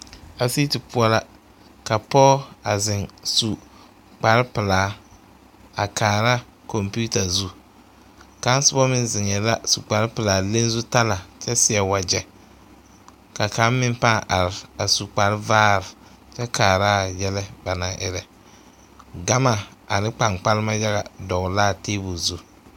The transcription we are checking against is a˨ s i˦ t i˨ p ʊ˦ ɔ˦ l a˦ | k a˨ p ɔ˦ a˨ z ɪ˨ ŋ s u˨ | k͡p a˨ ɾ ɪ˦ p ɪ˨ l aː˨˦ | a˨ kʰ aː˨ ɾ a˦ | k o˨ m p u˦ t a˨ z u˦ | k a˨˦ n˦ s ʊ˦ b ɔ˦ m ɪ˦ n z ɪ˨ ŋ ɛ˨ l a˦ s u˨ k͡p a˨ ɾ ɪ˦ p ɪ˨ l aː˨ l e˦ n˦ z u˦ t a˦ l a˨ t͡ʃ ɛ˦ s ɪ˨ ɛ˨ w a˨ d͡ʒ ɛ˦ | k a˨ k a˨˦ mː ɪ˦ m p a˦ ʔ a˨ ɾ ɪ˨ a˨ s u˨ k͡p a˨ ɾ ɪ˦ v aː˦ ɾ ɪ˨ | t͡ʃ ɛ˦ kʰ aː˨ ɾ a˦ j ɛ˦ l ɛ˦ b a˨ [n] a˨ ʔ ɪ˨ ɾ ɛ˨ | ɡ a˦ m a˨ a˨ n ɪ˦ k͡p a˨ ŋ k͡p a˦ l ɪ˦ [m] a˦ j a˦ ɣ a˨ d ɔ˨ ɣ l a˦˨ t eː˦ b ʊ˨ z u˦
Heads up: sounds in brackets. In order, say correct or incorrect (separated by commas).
correct, correct